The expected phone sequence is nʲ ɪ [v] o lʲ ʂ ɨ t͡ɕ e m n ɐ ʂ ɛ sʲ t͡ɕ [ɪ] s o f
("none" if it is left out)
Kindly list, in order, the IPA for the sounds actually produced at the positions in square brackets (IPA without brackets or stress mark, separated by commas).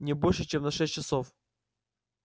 b, ɪ